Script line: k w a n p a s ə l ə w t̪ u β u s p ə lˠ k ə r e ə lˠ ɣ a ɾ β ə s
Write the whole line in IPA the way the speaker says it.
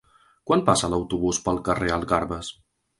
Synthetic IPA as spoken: k w a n p a s ə l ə w t̪ u β u s p ə lˠ k ə r e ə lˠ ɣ a ɾ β ə s